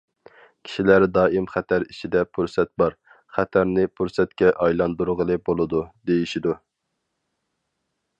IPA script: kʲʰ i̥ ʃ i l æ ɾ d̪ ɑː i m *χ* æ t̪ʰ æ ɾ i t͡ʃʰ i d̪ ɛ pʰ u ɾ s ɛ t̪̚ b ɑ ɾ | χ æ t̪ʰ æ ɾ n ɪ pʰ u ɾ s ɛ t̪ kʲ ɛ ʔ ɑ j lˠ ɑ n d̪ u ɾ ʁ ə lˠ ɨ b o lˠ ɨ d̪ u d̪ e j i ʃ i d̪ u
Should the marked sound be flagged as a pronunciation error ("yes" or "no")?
no